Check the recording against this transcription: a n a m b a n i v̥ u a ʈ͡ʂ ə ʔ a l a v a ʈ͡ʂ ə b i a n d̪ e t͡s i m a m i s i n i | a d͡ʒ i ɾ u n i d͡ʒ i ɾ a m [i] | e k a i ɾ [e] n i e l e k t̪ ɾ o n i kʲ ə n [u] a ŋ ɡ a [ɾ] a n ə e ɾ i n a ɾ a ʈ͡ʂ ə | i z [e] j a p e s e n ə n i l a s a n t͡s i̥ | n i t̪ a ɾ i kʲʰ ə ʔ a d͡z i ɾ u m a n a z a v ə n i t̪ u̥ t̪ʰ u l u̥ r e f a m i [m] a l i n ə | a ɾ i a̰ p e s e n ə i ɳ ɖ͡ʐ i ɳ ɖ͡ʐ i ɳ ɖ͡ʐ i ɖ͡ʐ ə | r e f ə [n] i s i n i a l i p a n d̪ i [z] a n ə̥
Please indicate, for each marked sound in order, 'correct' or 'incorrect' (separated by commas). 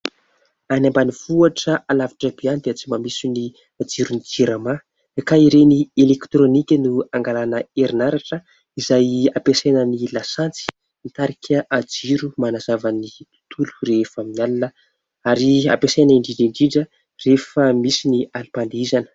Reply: incorrect, correct, correct, incorrect, incorrect, incorrect, incorrect, correct